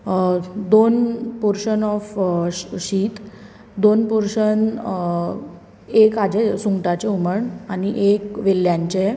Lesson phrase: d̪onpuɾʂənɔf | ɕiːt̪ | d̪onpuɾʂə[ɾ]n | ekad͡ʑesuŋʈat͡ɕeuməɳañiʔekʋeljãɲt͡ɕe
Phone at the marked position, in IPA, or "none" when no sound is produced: none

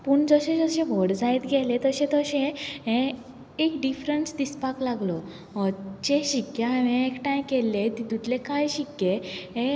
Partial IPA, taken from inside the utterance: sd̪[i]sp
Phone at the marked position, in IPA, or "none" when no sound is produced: i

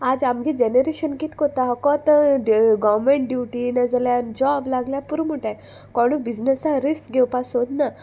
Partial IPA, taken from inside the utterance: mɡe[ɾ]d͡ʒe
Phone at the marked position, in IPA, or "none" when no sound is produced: none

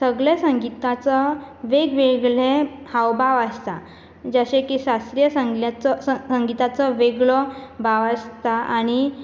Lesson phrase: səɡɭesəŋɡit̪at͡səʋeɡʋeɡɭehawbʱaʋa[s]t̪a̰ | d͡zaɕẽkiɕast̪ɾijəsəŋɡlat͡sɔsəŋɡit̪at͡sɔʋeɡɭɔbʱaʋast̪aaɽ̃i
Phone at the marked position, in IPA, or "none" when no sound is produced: s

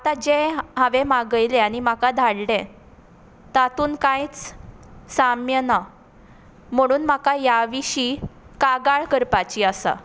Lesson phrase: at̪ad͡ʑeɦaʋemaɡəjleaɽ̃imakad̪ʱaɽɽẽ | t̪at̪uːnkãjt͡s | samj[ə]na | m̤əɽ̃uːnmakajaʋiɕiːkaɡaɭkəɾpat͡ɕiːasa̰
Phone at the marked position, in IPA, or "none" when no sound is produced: ə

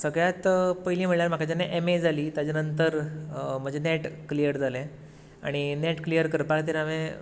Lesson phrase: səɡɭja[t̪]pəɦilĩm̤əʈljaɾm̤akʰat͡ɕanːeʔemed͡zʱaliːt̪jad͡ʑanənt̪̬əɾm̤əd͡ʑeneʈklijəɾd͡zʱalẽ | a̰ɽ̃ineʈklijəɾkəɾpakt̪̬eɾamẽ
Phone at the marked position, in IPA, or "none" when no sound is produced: t̪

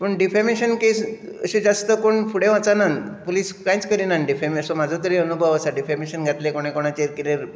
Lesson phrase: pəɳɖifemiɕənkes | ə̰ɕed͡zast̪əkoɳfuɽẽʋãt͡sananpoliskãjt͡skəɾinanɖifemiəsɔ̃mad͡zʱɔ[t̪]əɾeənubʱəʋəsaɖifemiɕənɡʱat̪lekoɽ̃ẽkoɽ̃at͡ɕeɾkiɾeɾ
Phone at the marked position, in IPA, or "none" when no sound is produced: t̪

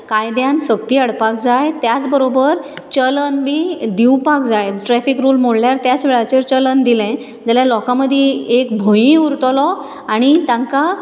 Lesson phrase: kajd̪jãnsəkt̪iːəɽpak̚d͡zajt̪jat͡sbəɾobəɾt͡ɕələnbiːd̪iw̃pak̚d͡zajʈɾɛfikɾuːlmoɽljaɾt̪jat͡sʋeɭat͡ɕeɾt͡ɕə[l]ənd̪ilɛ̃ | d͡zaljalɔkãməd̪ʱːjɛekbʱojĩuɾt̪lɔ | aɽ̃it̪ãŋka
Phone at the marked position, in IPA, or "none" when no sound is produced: l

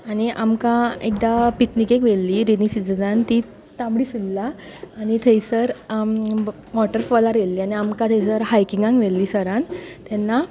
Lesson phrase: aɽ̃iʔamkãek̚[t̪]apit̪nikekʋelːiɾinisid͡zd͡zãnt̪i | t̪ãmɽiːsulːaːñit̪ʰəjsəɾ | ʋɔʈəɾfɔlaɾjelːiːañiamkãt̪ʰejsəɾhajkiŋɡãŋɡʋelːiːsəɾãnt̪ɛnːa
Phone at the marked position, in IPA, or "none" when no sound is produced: d̪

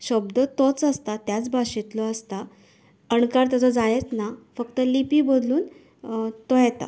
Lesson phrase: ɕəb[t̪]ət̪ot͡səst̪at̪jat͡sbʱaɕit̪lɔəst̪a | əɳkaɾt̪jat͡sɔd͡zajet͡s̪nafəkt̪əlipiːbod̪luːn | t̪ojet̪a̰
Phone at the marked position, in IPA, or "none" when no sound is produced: d̪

